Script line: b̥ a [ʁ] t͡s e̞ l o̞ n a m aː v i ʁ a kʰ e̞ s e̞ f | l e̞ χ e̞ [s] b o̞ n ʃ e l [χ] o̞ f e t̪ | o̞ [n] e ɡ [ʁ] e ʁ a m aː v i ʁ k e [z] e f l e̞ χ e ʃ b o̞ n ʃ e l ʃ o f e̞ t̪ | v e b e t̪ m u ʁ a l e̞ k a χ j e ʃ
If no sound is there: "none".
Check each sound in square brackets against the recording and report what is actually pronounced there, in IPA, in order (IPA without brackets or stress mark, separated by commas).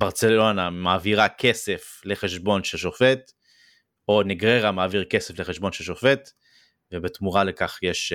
ʁ, ʃ, ʃ, n, ʁ, s